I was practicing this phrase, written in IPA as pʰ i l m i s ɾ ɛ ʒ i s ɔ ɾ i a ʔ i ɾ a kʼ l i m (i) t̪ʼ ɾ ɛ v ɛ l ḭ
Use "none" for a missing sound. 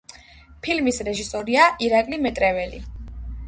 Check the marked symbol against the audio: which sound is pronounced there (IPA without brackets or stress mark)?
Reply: ɛ